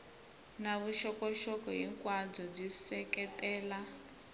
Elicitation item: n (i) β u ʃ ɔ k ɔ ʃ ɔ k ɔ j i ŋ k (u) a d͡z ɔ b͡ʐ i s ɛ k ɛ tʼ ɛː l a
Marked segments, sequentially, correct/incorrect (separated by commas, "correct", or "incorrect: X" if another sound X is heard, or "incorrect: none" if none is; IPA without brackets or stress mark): incorrect: a, incorrect: w